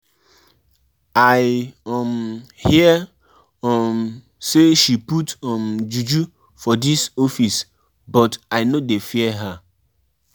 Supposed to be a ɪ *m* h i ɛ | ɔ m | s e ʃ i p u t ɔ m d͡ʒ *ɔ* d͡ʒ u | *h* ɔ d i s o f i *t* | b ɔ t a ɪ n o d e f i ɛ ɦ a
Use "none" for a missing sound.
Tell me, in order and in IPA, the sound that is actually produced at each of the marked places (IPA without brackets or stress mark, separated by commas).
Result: m, u, f, s